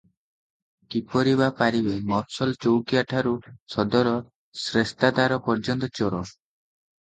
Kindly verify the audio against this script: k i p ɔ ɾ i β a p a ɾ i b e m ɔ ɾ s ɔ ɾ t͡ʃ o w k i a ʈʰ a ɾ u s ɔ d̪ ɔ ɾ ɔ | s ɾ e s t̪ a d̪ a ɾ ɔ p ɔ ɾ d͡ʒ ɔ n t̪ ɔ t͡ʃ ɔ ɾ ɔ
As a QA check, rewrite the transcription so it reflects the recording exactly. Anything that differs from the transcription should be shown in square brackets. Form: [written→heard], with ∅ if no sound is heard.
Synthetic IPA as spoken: k i p ɔ ɾ i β a p a ɾ i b e m ɔ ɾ s ɔ [ɾ→l] t͡ʃ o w k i a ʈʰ a ɾ u s ɔ d̪ ɔ ɾ ɔ | s ɾ e s t̪ a d̪ a ɾ ɔ p ɔ ɾ d͡ʒ ɔ n t̪ ɔ t͡ʃ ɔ ɾ ɔ